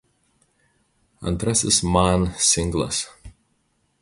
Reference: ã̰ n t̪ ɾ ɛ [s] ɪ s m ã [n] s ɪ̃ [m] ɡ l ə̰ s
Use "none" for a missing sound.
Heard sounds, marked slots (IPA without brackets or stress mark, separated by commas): s, n, ŋ